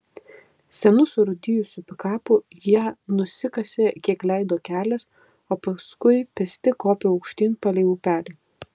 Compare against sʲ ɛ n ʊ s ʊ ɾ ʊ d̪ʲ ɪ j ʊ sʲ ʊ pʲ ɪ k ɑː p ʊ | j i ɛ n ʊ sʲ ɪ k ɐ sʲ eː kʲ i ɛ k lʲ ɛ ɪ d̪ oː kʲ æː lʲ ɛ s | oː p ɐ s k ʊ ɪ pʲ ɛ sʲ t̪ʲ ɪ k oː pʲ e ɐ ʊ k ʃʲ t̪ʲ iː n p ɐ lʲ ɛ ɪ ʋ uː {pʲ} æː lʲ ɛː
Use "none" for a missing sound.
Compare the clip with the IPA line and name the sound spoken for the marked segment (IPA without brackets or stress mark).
pʲ